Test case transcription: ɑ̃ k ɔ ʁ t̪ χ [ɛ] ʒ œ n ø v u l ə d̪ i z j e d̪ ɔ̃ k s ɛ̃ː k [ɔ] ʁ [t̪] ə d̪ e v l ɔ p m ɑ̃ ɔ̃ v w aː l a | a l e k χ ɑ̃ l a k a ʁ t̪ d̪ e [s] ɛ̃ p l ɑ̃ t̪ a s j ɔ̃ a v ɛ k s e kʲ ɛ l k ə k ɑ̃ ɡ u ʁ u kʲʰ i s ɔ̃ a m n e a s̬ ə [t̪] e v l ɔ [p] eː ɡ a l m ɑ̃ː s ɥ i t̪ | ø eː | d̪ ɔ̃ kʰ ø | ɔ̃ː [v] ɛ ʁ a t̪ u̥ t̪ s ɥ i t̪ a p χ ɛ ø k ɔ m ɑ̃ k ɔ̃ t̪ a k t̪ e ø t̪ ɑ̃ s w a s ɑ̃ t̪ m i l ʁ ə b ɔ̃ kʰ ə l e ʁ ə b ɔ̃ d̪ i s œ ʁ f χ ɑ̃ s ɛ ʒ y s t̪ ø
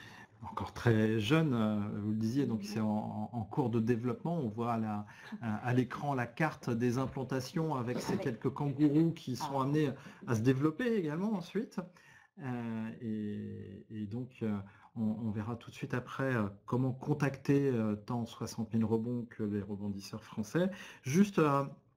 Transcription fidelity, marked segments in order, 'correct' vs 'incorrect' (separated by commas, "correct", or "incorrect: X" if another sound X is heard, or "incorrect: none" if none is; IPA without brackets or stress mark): correct, incorrect: u, incorrect: d̪, incorrect: z, incorrect: d̪, correct, correct